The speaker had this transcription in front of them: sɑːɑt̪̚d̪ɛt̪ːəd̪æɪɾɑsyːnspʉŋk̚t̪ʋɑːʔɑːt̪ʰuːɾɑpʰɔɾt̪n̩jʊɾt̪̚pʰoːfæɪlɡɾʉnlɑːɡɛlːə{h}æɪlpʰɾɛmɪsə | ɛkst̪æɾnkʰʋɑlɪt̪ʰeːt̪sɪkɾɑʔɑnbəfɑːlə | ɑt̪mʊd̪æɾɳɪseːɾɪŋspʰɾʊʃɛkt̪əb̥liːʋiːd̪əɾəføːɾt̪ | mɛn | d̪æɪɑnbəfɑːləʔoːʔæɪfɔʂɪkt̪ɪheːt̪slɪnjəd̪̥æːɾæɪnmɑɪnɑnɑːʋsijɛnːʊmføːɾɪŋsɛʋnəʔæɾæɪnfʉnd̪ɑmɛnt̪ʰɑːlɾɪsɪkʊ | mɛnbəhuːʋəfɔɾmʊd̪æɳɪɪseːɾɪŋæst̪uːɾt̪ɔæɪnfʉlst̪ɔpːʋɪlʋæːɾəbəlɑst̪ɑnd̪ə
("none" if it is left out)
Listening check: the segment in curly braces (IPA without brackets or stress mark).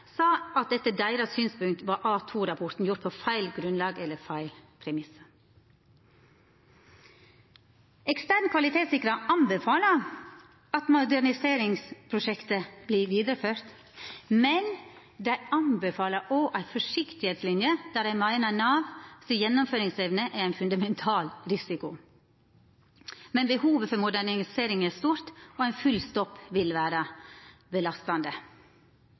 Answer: f